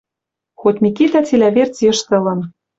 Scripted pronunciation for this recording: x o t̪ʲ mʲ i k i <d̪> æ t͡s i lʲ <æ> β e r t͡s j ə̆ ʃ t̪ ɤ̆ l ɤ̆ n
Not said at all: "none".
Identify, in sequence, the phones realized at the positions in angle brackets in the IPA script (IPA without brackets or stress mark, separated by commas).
t̪, æ